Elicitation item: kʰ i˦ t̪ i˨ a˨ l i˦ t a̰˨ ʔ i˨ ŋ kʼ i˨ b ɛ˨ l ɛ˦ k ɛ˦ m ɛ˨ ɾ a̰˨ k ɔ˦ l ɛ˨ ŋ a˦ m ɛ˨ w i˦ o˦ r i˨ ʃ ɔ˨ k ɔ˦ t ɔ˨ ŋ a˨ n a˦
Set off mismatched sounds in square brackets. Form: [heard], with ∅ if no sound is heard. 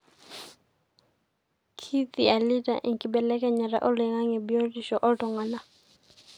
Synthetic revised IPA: kʰ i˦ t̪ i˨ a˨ l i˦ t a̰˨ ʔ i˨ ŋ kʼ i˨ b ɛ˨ l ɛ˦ k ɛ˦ [ɲ] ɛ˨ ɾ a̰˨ [ʔ] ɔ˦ l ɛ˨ ŋ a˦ [ŋ] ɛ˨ [b] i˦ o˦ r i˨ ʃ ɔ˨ [ʔ] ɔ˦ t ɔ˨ ŋ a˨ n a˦

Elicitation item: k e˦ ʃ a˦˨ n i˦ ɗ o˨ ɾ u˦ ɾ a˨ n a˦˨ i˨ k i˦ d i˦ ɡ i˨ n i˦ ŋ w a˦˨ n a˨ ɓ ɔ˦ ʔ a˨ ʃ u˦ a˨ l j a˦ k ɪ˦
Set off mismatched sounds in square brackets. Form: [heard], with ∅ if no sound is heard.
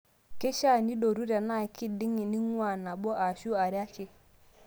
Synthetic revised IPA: k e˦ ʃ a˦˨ n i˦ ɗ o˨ ɾ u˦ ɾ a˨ n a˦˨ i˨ k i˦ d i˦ [ŋ] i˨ n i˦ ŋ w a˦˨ n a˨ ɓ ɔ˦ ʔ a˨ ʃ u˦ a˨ [ɾ] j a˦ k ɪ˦

